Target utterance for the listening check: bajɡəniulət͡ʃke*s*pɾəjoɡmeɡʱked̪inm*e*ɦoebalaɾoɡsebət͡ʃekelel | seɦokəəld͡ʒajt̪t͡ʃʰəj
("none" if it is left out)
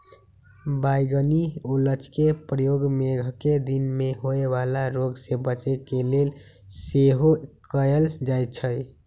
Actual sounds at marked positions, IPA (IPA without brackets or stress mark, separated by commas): none, e